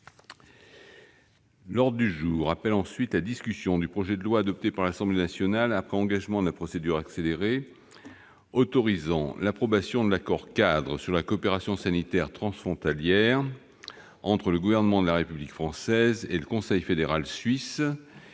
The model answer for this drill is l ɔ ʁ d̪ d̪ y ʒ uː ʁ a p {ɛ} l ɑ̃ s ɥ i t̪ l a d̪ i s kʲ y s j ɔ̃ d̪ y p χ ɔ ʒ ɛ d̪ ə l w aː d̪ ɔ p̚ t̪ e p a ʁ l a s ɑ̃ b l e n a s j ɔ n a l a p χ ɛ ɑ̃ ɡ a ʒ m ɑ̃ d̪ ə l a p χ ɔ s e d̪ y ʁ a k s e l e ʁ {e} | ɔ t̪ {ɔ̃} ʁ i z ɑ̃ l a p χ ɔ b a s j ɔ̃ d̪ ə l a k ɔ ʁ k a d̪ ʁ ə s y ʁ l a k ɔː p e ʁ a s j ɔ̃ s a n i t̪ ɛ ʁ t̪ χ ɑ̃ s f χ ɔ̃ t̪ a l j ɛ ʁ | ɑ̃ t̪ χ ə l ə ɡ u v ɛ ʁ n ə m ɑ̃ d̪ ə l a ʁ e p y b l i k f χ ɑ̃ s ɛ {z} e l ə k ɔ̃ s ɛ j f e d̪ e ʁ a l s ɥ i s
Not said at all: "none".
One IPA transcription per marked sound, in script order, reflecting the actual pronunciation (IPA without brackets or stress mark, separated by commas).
ɛ, e, ɔ, z